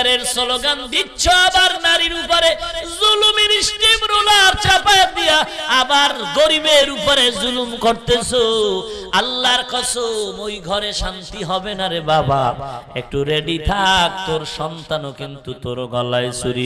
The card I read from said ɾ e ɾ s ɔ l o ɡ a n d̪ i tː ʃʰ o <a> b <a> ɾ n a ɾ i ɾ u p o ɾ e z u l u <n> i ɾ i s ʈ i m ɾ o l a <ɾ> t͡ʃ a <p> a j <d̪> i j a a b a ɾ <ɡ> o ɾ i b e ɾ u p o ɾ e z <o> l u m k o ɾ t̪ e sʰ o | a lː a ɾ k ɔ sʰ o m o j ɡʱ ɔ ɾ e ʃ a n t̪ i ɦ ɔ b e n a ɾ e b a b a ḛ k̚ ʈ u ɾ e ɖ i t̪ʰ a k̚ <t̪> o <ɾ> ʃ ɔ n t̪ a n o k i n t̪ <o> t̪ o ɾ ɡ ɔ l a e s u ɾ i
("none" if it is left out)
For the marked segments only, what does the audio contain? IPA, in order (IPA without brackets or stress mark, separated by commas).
a, a, m, ɾ, p, d̪, ɡ, u, t̪, ɾ, u